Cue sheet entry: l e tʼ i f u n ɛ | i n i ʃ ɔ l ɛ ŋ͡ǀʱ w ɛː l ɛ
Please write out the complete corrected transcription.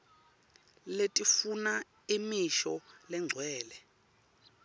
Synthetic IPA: l e tʼ i f u n a | i m i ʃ ɔ l ɛ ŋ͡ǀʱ w ɛː l ɛ